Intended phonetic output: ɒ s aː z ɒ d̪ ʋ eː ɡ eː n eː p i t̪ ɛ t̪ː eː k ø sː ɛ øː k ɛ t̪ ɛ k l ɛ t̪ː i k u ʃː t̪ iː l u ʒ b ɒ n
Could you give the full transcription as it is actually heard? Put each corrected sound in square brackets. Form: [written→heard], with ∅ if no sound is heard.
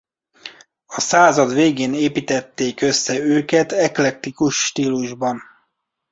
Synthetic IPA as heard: ɒ s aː z ɒ d̪ ʋ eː ɡ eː n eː p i t̪ ɛ t̪ː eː k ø sː ɛ øː k ɛ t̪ ɛ k l ɛ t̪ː i k u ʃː t̪ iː l u ʒ b ɒ n